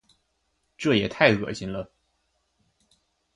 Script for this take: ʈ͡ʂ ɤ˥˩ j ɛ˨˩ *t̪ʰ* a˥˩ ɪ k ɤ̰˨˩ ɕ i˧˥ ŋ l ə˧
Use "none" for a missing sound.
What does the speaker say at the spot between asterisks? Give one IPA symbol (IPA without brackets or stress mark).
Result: t̪ʰ